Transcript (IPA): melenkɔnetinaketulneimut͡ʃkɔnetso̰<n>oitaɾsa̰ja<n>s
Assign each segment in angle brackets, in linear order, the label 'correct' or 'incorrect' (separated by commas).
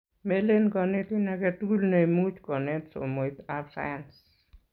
incorrect, correct